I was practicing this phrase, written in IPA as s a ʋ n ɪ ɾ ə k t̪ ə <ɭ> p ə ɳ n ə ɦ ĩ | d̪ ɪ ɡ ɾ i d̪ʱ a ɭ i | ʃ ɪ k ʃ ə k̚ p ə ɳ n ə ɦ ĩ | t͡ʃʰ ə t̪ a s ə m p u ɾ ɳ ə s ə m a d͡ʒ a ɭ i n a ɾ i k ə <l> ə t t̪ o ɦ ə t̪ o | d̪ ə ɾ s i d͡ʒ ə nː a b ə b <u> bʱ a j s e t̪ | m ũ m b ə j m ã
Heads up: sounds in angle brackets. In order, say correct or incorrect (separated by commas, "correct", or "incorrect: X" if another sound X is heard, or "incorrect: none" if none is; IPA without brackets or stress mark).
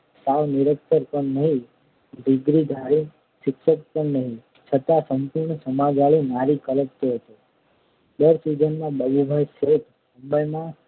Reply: incorrect: ɾ, correct, correct